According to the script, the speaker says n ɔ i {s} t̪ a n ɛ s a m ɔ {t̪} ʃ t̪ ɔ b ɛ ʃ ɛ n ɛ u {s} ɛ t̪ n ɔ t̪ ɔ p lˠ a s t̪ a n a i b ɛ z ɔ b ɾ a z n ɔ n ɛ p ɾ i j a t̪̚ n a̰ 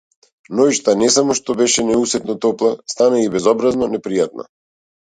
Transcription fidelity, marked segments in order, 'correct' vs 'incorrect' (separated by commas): incorrect, incorrect, correct